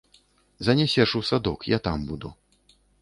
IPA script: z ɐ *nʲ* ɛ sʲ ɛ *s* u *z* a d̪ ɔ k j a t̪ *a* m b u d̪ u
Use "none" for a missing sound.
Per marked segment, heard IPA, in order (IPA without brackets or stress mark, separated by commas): nʲ, ʂ, s, a